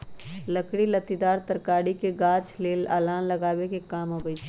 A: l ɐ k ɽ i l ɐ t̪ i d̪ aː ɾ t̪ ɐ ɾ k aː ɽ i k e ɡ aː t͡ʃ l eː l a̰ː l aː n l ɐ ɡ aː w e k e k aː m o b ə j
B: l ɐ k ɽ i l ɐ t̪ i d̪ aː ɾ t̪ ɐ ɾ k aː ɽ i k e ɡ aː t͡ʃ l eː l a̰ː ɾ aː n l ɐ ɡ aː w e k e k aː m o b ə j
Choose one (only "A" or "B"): A